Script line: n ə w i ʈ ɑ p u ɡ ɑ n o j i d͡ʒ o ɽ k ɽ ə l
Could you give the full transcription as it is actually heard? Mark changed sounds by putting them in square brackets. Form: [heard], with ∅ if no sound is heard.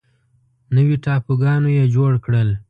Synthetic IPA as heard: n ə w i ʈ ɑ p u ɡ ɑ n o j [e] d͡ʒ o ɽ k ɽ ə l